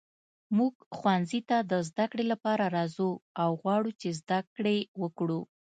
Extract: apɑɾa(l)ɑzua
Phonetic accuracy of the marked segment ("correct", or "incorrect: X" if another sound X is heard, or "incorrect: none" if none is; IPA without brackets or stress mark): incorrect: ɾ